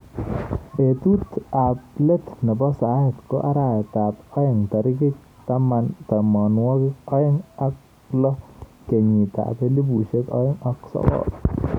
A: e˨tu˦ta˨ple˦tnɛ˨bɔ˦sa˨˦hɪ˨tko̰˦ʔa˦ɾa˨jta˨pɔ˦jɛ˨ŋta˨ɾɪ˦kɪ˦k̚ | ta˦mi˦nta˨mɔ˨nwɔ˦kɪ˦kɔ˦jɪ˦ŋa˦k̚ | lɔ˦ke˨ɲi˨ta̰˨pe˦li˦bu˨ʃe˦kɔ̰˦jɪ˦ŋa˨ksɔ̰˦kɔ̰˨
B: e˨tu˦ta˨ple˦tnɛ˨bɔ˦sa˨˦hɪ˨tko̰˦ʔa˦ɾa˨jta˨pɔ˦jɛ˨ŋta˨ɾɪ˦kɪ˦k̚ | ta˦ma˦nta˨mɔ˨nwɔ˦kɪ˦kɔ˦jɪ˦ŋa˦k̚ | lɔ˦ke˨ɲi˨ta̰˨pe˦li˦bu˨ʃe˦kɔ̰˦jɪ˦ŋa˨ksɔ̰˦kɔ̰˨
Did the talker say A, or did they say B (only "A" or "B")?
B